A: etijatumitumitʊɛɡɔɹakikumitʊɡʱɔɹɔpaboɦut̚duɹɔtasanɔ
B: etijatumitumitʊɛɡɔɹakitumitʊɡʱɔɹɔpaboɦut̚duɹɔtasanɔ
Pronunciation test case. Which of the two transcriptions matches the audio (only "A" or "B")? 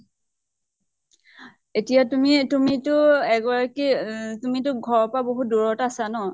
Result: B